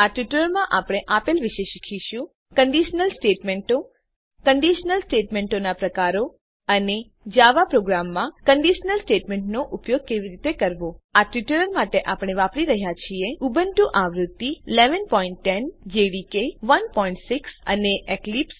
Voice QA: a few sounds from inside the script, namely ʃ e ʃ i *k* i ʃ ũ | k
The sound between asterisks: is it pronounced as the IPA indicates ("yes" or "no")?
no